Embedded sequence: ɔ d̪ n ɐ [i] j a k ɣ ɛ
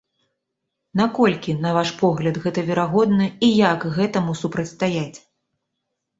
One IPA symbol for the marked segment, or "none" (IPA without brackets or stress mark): i